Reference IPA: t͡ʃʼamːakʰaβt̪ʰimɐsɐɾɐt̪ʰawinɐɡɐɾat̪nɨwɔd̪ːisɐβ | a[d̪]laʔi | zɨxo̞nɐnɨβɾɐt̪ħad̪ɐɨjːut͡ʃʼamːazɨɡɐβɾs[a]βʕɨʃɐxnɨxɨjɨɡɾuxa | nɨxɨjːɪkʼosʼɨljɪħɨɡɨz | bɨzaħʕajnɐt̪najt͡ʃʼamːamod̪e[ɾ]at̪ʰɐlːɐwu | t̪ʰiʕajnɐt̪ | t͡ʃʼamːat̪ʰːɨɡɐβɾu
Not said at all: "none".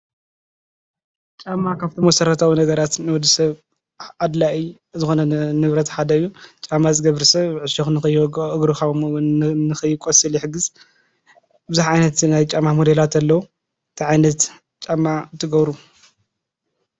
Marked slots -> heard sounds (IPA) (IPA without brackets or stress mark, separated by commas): d̪, ɐ, l